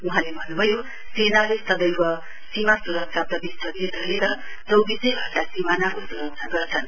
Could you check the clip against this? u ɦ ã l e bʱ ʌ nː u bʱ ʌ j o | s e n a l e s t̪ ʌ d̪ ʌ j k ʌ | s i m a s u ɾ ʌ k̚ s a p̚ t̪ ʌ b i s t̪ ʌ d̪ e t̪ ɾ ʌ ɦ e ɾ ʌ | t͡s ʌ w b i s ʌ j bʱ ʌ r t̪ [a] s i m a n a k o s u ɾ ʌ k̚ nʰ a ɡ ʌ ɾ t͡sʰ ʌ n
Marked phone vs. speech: correct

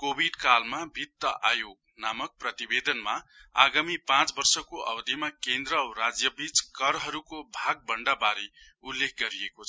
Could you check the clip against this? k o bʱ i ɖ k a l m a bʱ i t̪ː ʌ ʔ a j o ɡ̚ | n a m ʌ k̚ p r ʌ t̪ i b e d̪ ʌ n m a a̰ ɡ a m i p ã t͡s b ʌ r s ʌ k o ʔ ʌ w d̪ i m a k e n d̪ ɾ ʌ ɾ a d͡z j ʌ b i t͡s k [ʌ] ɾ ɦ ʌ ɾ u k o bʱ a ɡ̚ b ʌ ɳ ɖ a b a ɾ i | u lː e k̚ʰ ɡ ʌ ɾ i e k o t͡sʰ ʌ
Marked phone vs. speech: correct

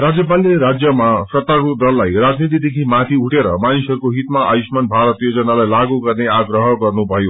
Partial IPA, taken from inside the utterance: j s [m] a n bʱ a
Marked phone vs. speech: correct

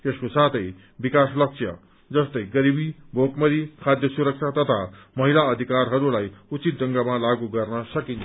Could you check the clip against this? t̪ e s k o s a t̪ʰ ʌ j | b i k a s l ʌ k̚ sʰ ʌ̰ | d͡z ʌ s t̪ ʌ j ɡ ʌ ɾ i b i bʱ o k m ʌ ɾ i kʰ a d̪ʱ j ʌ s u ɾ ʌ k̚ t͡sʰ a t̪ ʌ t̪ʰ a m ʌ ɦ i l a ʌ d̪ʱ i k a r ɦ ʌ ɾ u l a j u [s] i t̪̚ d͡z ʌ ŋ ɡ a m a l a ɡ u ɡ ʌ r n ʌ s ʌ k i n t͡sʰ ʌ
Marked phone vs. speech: incorrect: t͡s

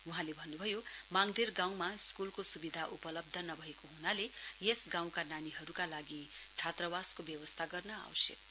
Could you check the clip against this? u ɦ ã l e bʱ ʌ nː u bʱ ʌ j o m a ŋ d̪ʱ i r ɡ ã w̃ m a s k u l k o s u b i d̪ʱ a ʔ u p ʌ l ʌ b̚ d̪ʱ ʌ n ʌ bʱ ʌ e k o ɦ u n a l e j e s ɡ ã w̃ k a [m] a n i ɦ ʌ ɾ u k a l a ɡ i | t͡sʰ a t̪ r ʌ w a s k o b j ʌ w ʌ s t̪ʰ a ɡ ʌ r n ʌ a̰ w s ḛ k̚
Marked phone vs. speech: incorrect: n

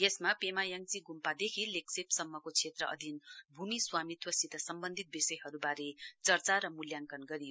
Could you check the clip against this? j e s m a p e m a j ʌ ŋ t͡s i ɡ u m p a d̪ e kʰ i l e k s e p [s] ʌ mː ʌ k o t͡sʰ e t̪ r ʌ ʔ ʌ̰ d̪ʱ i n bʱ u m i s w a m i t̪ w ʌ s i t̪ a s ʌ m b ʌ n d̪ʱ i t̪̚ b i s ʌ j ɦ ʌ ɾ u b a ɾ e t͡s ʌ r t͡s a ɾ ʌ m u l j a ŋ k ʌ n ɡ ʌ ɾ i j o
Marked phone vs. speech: correct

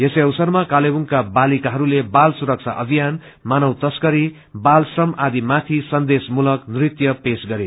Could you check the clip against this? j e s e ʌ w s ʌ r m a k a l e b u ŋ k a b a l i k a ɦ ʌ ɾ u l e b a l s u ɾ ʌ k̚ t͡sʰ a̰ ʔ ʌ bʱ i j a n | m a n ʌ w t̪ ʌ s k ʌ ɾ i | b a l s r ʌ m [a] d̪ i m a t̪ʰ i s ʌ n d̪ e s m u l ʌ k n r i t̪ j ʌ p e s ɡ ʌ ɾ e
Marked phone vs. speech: correct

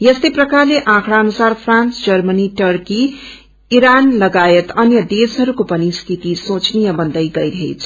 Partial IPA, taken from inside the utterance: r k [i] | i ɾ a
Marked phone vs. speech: correct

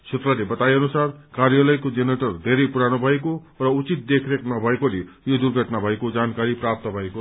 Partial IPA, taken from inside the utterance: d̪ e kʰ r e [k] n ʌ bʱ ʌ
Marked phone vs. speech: correct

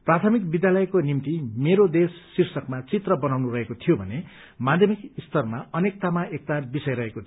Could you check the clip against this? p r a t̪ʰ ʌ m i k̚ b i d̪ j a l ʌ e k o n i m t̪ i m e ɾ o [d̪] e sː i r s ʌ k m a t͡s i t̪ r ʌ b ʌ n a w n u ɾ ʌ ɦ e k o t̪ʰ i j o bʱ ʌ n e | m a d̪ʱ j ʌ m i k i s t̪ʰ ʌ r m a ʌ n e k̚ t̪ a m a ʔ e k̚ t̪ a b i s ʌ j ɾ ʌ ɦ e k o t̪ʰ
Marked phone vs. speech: correct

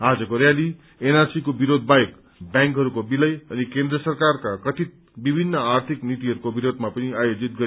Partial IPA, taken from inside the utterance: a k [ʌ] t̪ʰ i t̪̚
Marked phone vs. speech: correct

